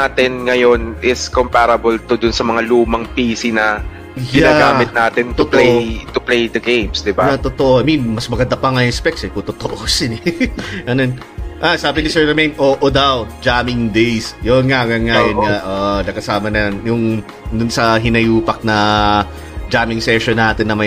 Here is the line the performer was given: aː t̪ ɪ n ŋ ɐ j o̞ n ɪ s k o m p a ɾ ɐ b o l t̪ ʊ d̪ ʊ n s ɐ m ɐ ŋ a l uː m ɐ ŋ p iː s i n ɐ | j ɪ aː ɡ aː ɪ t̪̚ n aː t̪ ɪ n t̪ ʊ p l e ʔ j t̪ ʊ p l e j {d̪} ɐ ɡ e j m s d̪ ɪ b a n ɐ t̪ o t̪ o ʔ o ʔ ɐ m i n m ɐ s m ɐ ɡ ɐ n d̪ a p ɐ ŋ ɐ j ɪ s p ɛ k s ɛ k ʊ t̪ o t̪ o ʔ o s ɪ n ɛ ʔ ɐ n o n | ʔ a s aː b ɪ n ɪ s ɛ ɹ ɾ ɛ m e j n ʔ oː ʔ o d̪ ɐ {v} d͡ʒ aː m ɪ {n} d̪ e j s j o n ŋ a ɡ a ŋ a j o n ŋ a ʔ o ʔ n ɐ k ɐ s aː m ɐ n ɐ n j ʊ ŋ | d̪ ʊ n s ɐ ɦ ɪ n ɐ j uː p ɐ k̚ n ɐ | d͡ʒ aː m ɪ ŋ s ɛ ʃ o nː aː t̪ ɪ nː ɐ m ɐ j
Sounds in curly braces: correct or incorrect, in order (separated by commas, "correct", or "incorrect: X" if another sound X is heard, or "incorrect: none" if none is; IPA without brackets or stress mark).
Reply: correct, incorrect: w, incorrect: ŋ